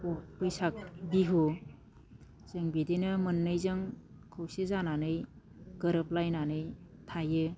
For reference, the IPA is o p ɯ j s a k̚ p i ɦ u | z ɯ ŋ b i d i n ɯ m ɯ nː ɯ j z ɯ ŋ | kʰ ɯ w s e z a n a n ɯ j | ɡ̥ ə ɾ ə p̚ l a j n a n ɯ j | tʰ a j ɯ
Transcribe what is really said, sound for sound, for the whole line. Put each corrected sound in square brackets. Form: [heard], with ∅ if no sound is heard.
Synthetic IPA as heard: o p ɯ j s a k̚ [b] i ɦ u | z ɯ ŋ b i d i n ɯ m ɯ nː ɯ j z ɯ ŋ | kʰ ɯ w s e z a n a n ɯ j | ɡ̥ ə ɾ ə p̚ l a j n a n ɯ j | tʰ a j ɯ

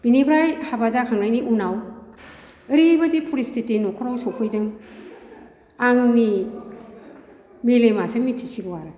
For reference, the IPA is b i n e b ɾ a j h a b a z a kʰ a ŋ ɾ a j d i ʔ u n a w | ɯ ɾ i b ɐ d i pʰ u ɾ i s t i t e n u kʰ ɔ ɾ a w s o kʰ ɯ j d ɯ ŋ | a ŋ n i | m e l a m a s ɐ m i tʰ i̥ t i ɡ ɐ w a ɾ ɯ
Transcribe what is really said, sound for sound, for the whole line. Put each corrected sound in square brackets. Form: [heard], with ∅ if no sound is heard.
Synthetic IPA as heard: b i n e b ɾ a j h a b a z a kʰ a ŋ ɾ a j [n] i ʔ u n a w | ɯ ɾ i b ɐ d i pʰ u ɾ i s t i t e n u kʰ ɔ ɾ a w s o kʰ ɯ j d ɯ ŋ | a ŋ n i | m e l [e] m a s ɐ m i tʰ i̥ [s] i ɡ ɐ w a ɾ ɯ

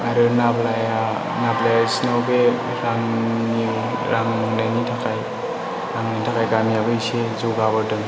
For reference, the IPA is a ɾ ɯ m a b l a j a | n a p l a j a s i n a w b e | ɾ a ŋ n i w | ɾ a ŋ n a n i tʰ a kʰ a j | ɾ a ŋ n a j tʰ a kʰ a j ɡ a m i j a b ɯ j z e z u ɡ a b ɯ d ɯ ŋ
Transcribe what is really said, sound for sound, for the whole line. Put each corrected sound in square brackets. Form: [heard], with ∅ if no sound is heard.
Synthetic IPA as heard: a ɾ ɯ [n] a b l a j a | n a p l a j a s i n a w b e | ɾ a ŋ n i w | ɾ a ŋ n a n i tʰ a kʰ a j | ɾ a ŋ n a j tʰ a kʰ a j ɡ a m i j a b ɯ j [s] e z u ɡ a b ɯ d ɯ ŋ

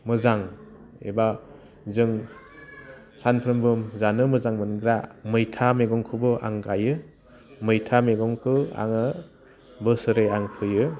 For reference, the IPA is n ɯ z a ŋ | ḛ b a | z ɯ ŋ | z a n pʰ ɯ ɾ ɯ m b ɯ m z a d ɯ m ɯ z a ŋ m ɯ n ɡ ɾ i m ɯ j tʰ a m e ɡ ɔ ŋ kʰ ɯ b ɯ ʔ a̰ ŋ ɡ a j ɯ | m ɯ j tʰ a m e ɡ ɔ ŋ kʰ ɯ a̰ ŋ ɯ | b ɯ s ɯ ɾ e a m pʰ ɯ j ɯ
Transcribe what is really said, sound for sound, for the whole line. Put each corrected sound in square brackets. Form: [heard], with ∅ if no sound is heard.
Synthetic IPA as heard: [m] ɯ z a ŋ | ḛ b a | z ɯ ŋ | [s] a n pʰ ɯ ɾ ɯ m b ɯ m z a [n] ɯ m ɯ z a ŋ m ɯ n ɡ ɾ [a] m ɯ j tʰ a m e ɡ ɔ ŋ kʰ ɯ b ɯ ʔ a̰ ŋ ɡ a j ɯ | m ɯ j tʰ a m e ɡ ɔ ŋ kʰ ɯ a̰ ŋ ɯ | b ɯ s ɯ ɾ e a [ŋ] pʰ ɯ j ɯ

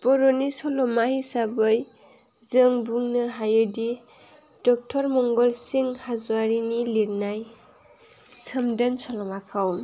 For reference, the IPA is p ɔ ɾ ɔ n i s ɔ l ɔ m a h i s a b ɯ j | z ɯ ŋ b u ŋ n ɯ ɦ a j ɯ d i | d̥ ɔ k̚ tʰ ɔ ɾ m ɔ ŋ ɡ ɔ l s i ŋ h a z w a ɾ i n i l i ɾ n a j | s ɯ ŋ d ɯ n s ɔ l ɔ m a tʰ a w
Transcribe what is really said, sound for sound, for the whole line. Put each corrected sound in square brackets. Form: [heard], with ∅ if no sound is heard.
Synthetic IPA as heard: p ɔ ɾ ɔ n i s ɔ l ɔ m a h i s a b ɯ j | z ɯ ŋ b u ŋ n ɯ ɦ a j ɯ d i | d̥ ɔ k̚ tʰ ɔ ɾ m ɔ ŋ ɡ ɔ l s i ŋ h a z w a ɾ i n i l i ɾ n a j | s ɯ [m] d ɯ n s ɔ l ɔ m a [kʰ] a w

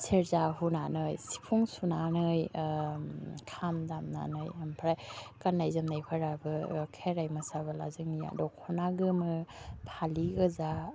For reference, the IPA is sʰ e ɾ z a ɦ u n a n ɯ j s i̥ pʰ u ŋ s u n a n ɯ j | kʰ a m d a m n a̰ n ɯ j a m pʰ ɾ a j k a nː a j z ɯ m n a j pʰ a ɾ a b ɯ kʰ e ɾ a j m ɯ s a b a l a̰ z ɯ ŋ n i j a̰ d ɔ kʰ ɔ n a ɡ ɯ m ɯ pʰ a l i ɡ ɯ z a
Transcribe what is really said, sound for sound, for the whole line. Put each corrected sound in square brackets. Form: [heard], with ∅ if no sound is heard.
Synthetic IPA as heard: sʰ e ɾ z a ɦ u n a n ɯ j s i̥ pʰ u ŋ s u n a n ɯ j | kʰ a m d a m n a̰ n ɯ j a m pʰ ɾ a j k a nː a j z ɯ m n a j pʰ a ɾ a b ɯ kʰ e ɾ a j m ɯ s a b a l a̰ z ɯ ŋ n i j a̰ d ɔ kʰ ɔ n a ɡ ɯ m ɯ pʰ a l i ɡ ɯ z a

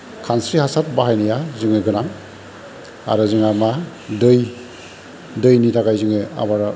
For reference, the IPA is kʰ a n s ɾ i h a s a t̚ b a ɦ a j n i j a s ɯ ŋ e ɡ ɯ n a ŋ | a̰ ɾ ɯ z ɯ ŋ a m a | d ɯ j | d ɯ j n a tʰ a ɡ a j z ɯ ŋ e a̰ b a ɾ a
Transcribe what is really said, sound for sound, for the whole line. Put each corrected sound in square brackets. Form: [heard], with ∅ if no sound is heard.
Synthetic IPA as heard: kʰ a n s ɾ i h a s a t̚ b a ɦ a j n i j a [z] ɯ ŋ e ɡ ɯ n a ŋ | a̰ ɾ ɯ z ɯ ŋ a m a | d ɯ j | d ɯ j n [i] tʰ a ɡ a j z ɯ ŋ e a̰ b a ɾ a

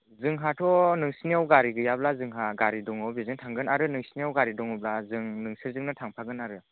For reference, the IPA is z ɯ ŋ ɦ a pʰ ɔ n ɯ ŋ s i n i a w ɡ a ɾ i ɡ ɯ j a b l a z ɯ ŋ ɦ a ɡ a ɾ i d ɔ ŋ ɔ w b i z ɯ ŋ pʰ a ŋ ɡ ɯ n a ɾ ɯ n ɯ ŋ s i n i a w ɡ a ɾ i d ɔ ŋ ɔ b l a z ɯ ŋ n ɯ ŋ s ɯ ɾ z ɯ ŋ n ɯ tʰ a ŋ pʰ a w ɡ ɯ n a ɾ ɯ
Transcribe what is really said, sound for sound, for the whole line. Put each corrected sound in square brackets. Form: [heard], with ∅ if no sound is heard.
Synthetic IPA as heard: z ɯ ŋ ɦ a [tʰ] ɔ n ɯ ŋ s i n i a w ɡ a ɾ i ɡ ɯ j a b l a z ɯ ŋ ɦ a ɡ a ɾ i d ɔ ŋ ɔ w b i z ɯ ŋ [tʰ] a ŋ ɡ ɯ n a ɾ ɯ n ɯ ŋ s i n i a w ɡ a ɾ i d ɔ ŋ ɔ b l a z ɯ ŋ n ɯ ŋ s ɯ ɾ z ɯ ŋ n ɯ tʰ a ŋ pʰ a [∅] ɡ ɯ n a ɾ ɯ

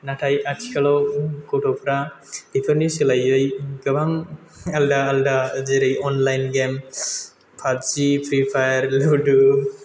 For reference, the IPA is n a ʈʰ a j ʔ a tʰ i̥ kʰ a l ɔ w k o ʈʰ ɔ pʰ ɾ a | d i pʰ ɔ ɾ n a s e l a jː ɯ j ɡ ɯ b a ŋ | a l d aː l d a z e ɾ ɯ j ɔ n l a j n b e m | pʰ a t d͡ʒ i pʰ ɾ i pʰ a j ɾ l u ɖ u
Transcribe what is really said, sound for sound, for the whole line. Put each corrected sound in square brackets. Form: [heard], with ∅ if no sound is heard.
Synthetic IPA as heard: n a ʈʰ a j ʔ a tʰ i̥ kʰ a l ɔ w k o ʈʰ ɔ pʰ ɾ a | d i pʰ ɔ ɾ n [i] s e l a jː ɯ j ɡ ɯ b a ŋ | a l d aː l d a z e ɾ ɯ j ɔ n l a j n [ɡ] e m | pʰ a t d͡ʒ i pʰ ɾ i pʰ a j ɾ l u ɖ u

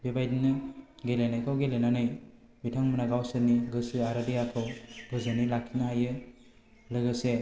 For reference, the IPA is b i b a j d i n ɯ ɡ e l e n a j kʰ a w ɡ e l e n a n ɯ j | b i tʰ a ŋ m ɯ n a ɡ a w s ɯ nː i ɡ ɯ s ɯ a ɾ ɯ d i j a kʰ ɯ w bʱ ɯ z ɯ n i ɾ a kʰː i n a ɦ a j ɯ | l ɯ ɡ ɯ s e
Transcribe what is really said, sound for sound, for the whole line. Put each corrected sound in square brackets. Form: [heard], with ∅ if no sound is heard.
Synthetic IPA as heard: b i b a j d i n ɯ ɡ e l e n a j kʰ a w ɡ e l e n a n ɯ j | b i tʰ a ŋ m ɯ n a ɡ a w s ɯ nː i ɡ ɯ s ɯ a ɾ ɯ d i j a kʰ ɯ w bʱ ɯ z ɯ n i [l] a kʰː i n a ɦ a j ɯ | l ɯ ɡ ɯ s e

